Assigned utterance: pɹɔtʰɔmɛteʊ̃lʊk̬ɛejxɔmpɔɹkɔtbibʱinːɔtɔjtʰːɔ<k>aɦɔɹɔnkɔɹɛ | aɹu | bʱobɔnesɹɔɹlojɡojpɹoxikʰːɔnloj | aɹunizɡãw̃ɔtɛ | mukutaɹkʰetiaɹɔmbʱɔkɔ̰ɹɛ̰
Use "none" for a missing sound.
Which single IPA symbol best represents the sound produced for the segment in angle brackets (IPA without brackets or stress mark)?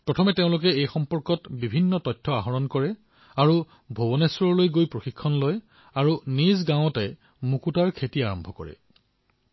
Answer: none